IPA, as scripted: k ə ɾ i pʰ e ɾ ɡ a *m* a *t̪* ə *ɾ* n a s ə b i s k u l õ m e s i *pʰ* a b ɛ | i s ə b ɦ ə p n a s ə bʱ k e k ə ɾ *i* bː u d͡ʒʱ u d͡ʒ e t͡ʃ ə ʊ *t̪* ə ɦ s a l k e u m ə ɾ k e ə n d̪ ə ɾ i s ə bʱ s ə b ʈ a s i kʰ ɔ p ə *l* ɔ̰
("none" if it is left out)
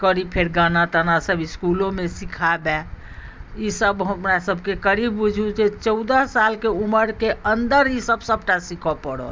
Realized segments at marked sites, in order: n, t̪, none, kʰ, i, d̪, ɽ

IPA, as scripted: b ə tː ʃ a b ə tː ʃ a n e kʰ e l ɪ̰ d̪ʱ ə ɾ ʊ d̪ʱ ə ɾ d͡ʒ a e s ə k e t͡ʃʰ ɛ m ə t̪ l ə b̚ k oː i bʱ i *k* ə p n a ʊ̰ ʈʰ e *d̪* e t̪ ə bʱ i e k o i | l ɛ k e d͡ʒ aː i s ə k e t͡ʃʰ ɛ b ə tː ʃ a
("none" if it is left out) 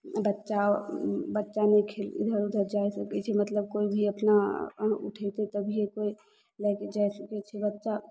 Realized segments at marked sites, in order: none, t̪

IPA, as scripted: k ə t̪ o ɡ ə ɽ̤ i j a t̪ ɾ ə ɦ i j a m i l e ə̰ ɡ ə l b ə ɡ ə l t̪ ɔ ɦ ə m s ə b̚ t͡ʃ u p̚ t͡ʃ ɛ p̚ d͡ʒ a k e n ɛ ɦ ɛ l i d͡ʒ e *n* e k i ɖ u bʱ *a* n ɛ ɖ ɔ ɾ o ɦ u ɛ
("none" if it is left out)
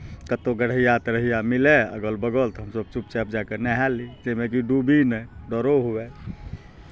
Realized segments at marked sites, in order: m, i

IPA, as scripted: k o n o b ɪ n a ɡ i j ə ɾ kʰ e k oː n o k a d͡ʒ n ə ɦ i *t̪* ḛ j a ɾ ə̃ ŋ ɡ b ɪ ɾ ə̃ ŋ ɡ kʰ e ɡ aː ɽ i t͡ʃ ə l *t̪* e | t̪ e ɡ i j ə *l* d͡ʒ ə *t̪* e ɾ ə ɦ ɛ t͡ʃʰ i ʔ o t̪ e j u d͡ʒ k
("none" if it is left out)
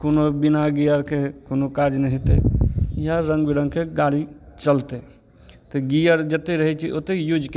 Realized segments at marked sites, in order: t̪, t̪, ɾ, t̪

